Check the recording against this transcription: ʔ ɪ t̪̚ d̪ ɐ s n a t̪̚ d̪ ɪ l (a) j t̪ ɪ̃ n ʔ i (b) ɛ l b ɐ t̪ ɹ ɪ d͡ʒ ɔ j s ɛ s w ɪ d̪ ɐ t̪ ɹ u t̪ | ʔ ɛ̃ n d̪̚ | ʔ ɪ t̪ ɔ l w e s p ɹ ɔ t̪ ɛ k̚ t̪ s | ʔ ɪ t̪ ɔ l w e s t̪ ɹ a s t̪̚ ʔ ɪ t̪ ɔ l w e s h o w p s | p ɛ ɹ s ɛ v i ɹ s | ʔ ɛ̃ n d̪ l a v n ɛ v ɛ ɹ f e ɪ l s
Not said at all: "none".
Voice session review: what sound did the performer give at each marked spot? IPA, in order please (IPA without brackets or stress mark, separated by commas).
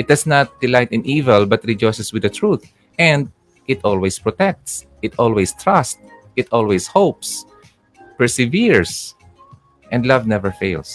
a, v